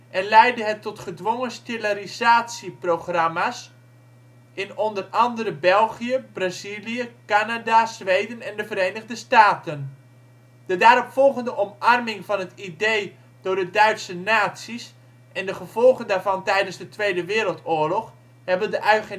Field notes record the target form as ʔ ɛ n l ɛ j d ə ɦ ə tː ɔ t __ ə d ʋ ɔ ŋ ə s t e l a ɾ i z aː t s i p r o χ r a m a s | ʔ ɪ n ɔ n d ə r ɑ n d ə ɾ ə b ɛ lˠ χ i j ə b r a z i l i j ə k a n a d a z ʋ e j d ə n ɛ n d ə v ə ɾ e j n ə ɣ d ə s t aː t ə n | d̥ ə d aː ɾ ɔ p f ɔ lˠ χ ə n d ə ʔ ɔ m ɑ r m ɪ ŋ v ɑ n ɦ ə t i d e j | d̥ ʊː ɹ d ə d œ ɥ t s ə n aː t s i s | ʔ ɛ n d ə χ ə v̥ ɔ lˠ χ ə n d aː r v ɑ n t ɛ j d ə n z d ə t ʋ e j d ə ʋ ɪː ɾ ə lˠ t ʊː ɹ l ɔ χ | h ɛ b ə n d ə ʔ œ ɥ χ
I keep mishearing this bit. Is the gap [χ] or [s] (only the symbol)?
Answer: χ